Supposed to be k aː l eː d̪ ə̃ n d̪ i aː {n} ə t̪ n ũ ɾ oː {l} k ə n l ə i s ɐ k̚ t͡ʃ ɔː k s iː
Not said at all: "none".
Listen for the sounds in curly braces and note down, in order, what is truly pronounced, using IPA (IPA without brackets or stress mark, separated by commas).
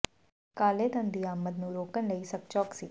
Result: m, none